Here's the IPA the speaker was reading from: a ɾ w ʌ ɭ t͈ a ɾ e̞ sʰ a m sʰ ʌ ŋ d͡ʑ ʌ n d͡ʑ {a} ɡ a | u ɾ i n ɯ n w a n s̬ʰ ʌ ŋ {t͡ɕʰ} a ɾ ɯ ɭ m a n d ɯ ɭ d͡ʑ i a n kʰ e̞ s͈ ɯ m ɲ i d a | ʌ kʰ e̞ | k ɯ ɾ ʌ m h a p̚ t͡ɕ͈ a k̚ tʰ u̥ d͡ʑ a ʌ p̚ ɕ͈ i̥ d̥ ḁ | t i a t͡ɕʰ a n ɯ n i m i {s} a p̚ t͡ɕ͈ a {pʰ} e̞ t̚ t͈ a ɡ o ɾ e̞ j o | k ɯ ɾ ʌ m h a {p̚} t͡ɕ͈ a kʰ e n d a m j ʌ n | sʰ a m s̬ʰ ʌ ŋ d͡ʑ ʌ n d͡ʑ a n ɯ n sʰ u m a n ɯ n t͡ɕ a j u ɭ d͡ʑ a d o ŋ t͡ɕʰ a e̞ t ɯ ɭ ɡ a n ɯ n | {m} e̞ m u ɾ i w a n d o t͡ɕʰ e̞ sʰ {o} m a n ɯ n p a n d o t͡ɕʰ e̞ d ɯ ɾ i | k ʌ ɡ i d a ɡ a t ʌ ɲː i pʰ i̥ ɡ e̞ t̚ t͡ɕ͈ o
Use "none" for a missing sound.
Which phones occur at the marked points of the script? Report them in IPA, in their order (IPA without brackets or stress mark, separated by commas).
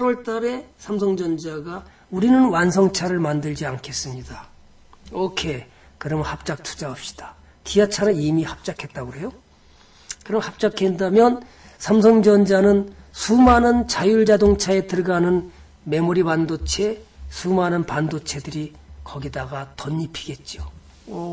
a, t͡ɕʰ, h, kʰ, p̚, m, u